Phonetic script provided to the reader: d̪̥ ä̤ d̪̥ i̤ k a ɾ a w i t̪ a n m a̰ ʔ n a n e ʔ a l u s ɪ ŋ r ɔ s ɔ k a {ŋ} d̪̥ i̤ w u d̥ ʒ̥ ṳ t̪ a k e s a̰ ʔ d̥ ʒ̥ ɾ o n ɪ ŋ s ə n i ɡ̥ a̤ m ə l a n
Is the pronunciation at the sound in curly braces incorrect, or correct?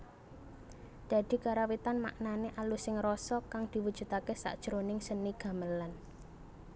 correct